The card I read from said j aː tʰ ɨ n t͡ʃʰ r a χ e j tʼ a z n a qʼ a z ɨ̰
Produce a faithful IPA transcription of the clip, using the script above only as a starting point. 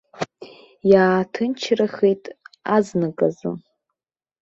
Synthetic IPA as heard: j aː tʰ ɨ n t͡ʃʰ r a χ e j tʼ a z n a kʼ a z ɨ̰